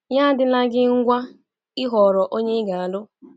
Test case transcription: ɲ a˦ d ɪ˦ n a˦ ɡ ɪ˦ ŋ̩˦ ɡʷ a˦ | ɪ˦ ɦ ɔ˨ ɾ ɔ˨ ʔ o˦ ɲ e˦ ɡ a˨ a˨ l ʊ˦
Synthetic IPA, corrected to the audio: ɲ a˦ d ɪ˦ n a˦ ɡ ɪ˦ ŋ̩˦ ɡʷ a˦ | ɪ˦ ɦ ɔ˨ ɾ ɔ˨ ʔ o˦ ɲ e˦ ɡ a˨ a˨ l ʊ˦